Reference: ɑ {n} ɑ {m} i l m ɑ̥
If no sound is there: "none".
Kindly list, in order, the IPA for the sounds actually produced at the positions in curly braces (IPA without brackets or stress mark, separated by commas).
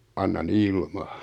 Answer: nː, n